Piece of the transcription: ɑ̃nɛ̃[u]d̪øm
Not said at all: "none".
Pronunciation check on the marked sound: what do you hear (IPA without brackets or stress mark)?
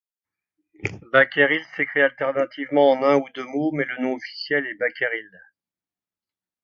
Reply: u